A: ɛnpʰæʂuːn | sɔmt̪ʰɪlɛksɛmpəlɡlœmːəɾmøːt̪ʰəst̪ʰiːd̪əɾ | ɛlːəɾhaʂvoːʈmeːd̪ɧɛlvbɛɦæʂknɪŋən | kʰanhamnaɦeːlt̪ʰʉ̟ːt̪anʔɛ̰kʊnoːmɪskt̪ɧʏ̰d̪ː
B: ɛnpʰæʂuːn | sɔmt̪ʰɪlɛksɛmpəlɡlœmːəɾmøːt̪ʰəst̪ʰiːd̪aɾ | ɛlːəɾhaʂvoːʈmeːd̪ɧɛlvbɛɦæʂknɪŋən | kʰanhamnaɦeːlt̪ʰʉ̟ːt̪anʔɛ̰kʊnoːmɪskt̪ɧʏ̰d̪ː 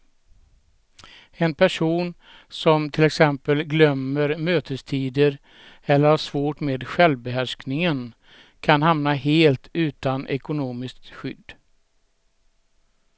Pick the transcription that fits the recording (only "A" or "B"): A